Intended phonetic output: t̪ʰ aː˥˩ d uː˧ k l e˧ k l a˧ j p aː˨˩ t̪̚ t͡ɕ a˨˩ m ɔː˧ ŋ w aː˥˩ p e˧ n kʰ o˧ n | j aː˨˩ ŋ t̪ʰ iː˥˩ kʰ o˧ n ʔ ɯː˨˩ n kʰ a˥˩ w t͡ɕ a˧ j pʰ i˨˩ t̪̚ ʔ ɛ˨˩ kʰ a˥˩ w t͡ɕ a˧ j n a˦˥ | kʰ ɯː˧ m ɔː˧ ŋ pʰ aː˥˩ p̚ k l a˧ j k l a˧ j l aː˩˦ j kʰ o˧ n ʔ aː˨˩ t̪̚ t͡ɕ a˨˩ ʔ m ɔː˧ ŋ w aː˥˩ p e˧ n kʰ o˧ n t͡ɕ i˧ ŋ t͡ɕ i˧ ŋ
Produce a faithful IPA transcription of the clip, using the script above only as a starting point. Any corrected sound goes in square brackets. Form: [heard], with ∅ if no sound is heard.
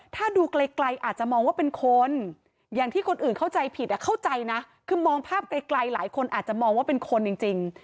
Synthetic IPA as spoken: t̪ʰ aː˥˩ d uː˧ k l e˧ k l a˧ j [ʔ] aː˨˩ t̪̚ t͡ɕ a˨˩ m ɔː˧ ŋ w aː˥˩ p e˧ n kʰ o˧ n | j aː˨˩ ŋ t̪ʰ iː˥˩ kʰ o˧ n ʔ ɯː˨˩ n kʰ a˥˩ w t͡ɕ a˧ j pʰ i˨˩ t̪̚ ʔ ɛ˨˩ kʰ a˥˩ w t͡ɕ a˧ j n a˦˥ | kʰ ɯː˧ m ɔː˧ ŋ pʰ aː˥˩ p̚ k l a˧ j k l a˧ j l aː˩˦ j kʰ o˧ n ʔ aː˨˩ t̪̚ t͡ɕ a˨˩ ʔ m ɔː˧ ŋ w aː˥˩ p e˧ n kʰ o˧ n t͡ɕ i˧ ŋ t͡ɕ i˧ ŋ